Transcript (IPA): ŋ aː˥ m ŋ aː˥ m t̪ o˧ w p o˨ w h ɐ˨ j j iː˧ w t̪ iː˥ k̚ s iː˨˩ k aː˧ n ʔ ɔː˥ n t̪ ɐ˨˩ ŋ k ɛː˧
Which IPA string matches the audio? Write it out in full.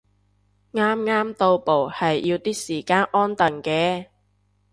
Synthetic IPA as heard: ŋ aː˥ m ŋ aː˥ m t̪ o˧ w p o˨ w h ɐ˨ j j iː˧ w t̪ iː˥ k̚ s iː˨˩ k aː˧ n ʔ ɔː˥ n t̪ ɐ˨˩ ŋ k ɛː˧